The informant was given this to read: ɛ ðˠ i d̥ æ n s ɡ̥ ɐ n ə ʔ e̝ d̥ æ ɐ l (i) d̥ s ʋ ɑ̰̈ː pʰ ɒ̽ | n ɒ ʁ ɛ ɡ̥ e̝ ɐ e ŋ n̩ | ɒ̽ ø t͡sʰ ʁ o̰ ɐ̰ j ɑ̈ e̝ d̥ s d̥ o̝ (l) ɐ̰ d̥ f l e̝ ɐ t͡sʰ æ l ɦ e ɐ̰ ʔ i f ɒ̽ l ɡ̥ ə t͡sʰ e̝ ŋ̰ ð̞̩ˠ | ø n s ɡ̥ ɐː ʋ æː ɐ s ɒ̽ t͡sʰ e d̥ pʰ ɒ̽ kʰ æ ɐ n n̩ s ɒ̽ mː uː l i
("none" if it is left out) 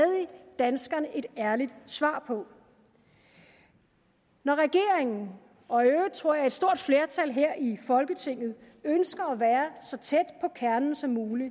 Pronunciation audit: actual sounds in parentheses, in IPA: i, none

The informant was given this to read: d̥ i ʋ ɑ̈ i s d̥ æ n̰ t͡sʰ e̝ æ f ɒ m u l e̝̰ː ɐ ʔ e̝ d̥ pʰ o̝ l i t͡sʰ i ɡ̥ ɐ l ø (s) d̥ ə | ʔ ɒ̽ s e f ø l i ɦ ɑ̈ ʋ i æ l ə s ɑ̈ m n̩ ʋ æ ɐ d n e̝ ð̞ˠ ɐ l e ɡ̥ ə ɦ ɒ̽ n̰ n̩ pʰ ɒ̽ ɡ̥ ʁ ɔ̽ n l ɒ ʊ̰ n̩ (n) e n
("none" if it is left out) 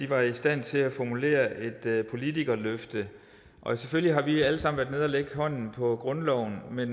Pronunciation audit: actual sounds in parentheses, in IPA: f, m

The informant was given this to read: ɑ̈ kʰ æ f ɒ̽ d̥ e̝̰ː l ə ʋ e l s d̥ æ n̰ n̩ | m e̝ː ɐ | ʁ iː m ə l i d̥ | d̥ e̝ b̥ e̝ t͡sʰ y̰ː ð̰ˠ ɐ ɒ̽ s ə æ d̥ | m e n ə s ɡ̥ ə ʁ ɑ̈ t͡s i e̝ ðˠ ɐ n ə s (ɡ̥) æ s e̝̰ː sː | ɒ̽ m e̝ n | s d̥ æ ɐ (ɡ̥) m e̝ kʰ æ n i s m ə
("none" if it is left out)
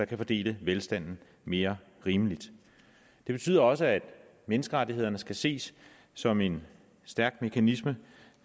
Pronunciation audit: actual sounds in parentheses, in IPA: ɡ̥, ɡ̥

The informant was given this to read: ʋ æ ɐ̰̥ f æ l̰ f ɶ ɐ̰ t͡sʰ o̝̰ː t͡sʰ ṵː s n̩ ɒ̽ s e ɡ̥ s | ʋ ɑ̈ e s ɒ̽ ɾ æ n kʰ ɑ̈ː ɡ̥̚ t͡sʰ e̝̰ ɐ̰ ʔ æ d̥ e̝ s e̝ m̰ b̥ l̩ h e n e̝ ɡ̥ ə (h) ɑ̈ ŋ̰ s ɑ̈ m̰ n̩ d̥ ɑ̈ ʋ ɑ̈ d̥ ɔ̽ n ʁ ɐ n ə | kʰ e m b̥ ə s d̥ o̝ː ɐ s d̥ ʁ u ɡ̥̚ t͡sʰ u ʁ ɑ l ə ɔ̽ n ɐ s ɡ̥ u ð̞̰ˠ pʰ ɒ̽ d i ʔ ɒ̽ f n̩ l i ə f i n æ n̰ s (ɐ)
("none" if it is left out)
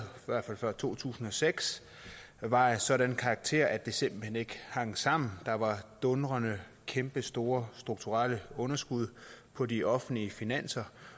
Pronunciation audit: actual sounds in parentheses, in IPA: h, ɐ

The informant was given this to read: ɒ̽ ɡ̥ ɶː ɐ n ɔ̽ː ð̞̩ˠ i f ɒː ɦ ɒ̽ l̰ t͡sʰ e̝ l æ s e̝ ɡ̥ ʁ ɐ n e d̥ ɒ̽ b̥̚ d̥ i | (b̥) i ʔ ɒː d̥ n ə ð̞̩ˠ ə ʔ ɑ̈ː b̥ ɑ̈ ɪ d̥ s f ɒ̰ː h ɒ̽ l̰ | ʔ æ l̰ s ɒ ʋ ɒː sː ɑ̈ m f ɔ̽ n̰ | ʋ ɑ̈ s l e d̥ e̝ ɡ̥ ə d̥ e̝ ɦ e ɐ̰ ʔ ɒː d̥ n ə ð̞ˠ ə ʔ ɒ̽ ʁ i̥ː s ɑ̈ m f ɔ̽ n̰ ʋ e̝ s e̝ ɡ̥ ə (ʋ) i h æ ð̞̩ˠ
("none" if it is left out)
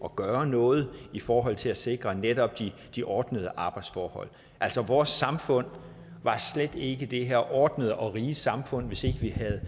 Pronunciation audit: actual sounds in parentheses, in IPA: d̥, ʋ

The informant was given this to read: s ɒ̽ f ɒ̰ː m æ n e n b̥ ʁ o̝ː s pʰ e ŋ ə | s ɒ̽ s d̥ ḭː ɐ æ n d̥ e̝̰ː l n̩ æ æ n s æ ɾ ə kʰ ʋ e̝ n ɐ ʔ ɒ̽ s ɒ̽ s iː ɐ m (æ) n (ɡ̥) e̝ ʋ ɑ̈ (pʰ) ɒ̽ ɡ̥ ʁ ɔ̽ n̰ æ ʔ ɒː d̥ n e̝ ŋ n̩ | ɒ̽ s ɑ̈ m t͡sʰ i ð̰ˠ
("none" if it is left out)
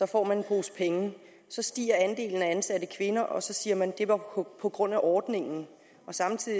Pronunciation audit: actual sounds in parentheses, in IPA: æ, d̥, pʰ

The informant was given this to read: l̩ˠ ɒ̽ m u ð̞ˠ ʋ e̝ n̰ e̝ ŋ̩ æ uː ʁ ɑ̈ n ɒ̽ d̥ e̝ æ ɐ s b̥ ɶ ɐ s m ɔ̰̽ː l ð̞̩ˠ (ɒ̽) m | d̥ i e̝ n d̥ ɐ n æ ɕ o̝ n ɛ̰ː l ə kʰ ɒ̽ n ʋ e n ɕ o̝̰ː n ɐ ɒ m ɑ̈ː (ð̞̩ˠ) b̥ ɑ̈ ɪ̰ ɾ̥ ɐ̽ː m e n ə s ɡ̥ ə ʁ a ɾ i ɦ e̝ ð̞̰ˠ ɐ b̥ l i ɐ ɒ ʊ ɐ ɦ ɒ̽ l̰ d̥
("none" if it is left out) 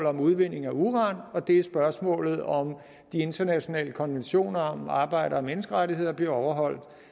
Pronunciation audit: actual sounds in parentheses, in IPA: ɒ̽, none

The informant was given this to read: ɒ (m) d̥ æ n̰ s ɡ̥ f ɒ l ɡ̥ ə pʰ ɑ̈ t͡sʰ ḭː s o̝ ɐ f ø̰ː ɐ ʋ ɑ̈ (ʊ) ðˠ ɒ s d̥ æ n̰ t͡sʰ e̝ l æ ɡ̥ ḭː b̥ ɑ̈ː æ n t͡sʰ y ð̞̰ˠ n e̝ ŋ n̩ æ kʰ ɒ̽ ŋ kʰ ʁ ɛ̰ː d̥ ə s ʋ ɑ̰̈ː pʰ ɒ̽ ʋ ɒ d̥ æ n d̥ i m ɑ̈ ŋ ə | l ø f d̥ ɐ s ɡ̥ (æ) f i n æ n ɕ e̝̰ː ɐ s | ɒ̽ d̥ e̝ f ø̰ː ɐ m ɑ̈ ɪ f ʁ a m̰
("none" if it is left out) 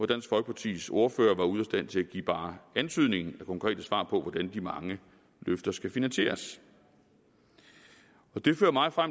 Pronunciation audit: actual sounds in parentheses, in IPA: none, u, æ

